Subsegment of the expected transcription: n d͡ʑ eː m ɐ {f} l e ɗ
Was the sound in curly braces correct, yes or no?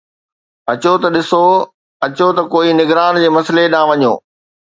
no